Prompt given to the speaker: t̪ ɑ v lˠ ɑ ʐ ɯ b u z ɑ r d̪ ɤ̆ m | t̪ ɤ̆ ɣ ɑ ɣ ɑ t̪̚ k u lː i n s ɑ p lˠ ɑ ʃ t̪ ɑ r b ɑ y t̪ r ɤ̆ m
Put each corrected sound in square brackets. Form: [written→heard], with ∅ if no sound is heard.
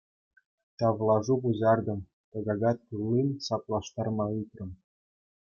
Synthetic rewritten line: t̪ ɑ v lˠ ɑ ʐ [ɯ→u] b u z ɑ r d̪ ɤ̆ m | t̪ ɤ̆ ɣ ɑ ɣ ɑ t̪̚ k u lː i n s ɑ p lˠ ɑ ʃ t̪ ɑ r [b→m] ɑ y t̪ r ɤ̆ m